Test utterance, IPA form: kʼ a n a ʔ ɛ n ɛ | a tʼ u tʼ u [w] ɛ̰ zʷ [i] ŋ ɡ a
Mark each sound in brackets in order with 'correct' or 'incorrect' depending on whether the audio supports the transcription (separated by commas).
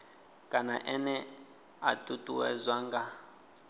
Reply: correct, incorrect